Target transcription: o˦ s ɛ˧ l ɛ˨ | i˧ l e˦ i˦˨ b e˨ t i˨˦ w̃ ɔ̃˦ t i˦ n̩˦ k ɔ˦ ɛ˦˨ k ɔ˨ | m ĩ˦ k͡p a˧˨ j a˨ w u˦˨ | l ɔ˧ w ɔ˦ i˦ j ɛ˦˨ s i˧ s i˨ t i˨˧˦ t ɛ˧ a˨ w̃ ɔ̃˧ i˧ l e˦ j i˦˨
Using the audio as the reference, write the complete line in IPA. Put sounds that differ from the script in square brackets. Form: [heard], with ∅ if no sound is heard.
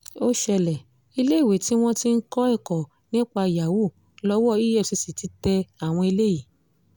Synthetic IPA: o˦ [ʃ] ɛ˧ l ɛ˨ | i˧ l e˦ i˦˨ [w] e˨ t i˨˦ w̃ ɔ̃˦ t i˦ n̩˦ k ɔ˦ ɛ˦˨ k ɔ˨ | [n] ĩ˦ k͡p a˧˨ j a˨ w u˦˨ | l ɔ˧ w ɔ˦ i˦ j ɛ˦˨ s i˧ s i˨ t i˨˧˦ t ɛ˧ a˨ w̃ ɔ̃˧ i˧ l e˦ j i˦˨